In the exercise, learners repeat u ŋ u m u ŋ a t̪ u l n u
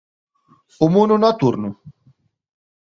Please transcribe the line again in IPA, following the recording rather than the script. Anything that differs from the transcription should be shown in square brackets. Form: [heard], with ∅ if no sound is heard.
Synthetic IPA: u [m] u [n] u [n] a t̪ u [ɾ] n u